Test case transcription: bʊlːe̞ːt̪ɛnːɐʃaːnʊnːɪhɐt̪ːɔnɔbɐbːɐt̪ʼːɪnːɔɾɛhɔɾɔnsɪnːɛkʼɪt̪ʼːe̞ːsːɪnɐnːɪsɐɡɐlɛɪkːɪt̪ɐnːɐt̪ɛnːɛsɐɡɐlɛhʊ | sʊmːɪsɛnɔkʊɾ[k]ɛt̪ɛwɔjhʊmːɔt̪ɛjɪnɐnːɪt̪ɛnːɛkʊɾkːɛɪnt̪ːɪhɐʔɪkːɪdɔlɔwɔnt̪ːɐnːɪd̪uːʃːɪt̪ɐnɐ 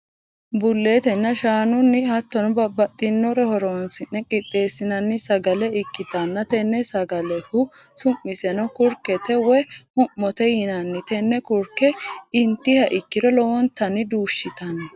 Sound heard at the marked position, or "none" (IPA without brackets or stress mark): k